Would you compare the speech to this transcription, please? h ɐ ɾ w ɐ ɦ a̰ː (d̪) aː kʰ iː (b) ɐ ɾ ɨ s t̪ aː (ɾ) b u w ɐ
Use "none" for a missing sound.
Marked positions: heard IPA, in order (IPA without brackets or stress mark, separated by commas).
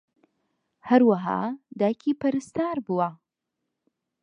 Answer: d̪, p, ɾ